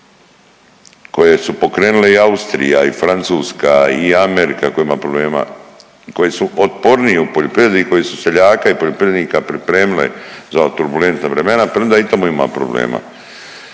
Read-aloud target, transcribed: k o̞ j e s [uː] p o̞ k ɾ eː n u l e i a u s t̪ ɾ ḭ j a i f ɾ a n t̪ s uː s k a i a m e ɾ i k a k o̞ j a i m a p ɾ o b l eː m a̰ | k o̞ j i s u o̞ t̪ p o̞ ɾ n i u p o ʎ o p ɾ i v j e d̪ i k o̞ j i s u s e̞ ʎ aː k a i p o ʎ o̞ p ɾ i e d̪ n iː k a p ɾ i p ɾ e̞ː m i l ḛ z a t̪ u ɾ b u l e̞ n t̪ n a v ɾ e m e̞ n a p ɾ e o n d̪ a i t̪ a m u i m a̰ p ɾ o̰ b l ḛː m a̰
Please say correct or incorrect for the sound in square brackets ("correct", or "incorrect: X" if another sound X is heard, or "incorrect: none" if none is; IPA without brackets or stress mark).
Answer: incorrect: u